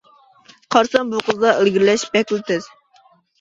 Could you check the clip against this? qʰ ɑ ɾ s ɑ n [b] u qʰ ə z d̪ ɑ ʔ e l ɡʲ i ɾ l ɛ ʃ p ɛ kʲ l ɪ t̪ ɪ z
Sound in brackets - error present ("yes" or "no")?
no